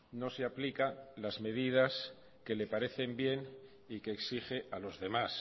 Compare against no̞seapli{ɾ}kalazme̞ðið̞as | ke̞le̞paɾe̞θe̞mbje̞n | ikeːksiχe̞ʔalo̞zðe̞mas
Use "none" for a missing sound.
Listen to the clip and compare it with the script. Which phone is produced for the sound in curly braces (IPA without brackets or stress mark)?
none